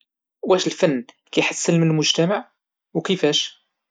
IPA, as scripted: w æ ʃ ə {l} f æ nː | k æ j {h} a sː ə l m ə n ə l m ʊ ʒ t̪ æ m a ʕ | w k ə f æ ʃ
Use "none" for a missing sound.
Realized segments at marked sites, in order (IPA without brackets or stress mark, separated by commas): l, ħ